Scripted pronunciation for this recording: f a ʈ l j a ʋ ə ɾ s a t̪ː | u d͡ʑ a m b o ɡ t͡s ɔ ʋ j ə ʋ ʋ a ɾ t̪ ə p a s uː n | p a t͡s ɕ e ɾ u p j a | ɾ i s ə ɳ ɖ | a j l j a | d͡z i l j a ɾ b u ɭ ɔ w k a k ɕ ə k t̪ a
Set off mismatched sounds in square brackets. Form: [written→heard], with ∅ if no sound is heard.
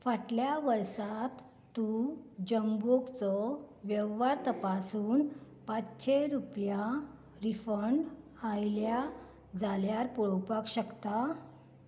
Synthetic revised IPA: f a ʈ l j a ʋ ə ɾ s a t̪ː | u d͡ʑ [a→ə] m b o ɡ t͡s ɔ ʋ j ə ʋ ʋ a ɾ t̪ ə p a s uː n | p a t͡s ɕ e ɾ u p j a | ɾ i [s→f] ə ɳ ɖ | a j l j a | d͡z [i→a] l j a ɾ [b→p] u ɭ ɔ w [k→p] a k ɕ ə k t̪ a